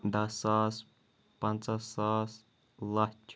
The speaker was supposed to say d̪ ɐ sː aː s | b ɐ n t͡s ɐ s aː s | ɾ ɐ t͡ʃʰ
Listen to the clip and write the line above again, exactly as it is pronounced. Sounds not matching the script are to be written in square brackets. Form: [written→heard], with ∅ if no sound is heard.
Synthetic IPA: d̪ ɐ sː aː s | [b→p] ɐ n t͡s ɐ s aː s | [ɾ→l] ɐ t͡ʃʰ